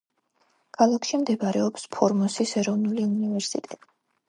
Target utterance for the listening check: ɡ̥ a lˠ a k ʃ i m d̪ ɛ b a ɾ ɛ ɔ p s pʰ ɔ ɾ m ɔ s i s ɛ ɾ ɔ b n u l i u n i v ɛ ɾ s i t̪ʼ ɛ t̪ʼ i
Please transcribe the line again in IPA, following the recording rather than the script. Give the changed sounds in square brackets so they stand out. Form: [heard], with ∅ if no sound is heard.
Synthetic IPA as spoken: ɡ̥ a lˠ a k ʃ i m d̪ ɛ b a ɾ ɛ ɔ p s pʰ ɔ ɾ m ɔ s i s ɛ ɾ ɔ [v] n u l i u n i v ɛ ɾ s i t̪ʼ ɛ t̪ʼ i